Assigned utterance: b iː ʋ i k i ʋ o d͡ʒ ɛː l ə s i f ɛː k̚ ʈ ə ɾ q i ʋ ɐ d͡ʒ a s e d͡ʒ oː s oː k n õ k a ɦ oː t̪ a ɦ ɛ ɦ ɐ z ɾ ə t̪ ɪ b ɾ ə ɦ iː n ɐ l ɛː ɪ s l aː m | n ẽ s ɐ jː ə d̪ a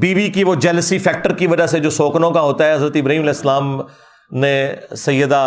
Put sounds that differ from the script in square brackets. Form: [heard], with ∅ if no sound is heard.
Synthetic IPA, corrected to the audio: b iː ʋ i k i ʋ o d͡ʒ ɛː l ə s i f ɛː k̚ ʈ ə ɾ [k] i ʋ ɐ d͡ʒ a s e d͡ʒ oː s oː k n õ k a ɦ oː t̪ a ɦ ɛ ɦ ɐ z ɾ ə t̪ ɪ b ɾ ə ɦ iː [m] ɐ l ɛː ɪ s l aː m | n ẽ s ɐ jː ə d̪ a